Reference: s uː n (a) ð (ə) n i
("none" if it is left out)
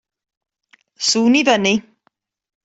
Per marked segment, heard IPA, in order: i, ə

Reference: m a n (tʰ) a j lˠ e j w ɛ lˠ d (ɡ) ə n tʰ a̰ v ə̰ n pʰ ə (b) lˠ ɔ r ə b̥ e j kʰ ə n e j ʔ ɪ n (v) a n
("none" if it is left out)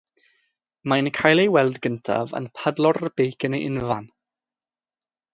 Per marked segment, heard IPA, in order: kʰ, ɡ, d, v

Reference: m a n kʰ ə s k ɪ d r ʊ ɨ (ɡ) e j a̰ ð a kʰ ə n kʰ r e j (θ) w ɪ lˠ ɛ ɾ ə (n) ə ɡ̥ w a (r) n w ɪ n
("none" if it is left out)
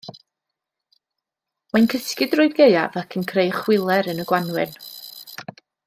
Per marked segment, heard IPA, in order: ɡ, χ, n, none

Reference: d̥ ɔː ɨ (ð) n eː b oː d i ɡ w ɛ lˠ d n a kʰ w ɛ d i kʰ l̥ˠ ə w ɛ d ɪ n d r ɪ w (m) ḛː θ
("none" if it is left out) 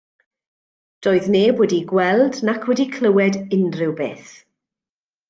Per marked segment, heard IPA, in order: ð, b

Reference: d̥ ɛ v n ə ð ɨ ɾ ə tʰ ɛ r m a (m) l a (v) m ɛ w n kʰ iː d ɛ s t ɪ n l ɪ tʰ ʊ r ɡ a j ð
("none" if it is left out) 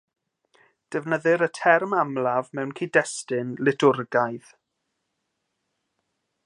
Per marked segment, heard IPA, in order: m, v

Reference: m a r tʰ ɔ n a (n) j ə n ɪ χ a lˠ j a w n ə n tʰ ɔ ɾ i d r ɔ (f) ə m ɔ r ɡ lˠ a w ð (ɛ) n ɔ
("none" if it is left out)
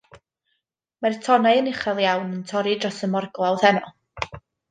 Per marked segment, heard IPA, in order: none, s, ɛ

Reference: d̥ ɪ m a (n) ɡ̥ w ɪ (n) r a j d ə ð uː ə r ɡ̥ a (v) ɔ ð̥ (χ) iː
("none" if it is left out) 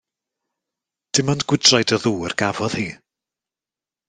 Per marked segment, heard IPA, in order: n, d, v, h

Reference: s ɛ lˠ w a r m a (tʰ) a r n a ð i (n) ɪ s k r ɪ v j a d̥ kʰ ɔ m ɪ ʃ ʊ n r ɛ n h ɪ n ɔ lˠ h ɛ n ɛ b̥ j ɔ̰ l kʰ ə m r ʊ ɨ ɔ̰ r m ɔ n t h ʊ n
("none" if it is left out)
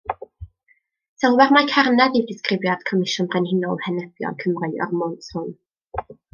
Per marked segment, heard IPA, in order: kʰ, d

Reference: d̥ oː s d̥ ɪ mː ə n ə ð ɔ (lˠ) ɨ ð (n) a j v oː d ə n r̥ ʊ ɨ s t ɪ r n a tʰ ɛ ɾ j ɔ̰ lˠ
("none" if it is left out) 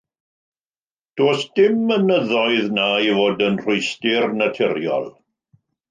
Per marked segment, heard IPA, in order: none, n

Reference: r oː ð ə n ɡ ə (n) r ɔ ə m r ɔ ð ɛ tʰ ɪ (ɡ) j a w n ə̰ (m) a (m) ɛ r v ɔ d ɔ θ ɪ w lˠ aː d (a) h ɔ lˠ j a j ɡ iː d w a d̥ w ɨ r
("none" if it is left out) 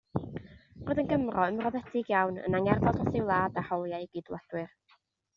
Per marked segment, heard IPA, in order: m, ɡ, n, ŋ, a

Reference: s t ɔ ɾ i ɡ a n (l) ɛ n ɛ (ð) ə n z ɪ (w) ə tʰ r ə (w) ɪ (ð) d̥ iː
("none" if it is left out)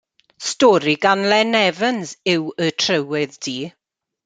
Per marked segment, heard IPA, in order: l, v, w, w, ð

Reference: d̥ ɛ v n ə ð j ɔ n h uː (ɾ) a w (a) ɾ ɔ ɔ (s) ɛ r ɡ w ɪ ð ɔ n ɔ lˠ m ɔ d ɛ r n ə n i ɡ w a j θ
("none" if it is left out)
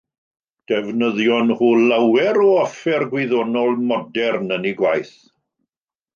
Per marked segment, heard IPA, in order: l, ɛ, f

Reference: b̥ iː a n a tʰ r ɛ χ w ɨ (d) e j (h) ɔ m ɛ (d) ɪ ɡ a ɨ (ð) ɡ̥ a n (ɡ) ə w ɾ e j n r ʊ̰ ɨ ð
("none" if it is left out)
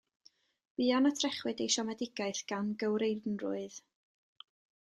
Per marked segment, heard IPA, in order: d, ʃ, d, θ, ɡ

